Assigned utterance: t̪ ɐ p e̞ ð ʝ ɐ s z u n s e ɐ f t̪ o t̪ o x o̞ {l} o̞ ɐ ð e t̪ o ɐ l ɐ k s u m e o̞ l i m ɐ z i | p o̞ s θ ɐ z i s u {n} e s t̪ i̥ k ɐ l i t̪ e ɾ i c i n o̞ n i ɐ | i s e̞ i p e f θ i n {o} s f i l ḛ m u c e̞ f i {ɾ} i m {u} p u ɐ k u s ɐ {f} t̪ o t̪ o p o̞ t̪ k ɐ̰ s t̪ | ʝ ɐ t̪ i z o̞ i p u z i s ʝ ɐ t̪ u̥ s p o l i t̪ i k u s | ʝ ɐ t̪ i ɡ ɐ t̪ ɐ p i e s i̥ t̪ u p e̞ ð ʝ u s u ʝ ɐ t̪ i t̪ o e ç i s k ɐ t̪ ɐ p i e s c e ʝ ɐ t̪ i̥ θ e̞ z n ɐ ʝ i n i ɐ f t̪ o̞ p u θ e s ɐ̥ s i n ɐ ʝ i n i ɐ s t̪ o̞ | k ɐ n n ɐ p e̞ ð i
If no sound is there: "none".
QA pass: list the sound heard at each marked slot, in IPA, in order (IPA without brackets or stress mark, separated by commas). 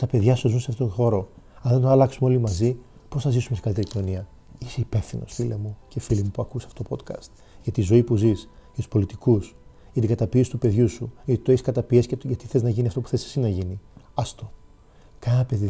ɾ, m, o, l, u, f